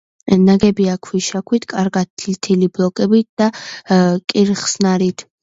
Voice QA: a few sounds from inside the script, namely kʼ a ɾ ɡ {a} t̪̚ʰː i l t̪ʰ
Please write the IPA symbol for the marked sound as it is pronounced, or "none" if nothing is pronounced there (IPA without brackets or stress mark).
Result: a